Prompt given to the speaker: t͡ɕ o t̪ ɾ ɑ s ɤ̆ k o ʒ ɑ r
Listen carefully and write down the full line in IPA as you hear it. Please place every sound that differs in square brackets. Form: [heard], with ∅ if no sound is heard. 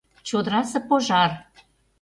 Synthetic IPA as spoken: t͡ɕ o [d̪] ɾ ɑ s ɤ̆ [p] o ʒ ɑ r